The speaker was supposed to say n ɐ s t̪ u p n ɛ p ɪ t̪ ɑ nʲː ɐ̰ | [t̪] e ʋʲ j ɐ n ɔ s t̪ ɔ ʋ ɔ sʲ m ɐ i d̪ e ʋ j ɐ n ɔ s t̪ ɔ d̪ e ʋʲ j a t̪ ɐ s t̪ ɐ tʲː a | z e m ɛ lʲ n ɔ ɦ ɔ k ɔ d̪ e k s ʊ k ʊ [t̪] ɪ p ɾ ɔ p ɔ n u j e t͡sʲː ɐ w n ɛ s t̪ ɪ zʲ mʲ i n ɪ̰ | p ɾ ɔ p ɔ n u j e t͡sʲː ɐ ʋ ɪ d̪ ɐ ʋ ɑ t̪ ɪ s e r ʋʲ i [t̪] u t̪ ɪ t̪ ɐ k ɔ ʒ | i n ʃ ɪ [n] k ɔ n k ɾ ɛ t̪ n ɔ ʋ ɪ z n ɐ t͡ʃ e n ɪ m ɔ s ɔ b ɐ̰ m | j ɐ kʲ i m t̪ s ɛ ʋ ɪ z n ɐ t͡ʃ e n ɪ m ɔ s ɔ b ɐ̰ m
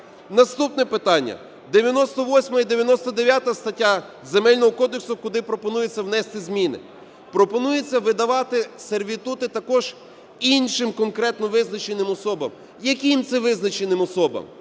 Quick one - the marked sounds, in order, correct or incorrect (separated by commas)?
incorrect, incorrect, correct, incorrect